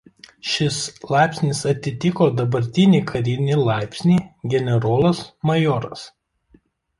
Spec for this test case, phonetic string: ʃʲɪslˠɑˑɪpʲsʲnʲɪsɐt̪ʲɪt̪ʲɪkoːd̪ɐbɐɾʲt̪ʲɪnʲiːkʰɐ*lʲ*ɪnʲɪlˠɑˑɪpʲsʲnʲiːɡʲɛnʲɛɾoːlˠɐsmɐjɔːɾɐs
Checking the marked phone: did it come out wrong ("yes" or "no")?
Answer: yes